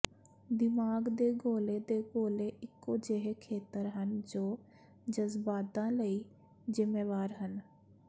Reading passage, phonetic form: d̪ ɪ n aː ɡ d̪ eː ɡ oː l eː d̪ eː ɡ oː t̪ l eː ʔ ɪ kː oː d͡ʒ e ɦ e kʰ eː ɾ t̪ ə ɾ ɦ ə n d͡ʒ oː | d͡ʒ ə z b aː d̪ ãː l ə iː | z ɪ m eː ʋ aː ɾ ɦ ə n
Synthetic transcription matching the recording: d̪ ɪ m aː ɡ d̪ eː ɡ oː l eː d̪ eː ɡ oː l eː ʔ ɪ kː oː d͡ʒ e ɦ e kʰ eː t̪ ə ɾ ɦ ə n d͡ʒ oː | d͡ʒ ə z b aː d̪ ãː l ə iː | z ɪ m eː ʋ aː ɾ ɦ ə n